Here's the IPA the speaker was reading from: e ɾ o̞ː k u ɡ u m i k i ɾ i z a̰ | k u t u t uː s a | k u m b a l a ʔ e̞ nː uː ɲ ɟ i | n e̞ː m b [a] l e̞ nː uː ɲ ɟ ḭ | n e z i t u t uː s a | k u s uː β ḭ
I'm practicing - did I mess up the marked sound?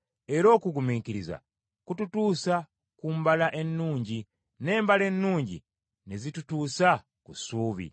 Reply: no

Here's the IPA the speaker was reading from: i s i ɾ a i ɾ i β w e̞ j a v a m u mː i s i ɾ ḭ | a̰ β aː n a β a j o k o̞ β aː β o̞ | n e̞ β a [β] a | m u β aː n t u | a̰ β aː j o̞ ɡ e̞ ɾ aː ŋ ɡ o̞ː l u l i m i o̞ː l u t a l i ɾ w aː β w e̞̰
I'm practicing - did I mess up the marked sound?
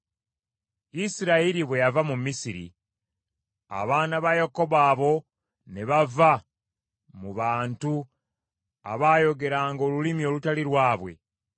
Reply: yes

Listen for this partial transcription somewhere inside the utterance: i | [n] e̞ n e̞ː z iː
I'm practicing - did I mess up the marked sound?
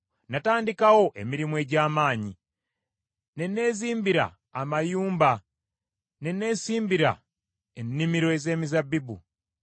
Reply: no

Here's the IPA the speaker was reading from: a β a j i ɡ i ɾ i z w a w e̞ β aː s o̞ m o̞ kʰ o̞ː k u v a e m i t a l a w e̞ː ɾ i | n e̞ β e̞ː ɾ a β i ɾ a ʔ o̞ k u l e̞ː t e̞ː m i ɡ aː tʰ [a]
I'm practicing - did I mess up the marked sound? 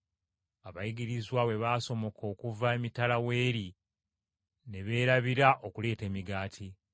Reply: yes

